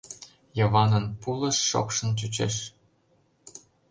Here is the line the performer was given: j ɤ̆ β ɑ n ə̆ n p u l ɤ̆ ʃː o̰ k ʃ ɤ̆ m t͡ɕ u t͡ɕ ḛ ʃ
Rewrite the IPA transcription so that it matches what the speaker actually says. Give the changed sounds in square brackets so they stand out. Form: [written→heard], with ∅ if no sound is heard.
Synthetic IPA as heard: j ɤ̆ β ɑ n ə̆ n p u l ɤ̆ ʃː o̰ k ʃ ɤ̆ [m→n] t͡ɕ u t͡ɕ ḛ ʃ